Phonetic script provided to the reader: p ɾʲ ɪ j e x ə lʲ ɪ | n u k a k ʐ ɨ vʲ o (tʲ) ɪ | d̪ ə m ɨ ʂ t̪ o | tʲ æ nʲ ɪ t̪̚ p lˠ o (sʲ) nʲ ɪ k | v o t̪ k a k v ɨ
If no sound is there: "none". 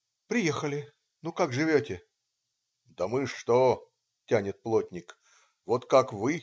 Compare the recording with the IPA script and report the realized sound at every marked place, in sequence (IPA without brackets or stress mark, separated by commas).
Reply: tʲ, tʲ